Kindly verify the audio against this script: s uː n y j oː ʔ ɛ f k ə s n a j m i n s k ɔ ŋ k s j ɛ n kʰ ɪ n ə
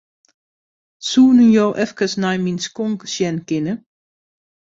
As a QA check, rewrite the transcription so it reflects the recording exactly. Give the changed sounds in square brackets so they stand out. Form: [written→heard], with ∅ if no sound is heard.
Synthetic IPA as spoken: s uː n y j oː ʔ ɛ f k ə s n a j m i n s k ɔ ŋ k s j ɛ n [kʰ→k] ɪ n ə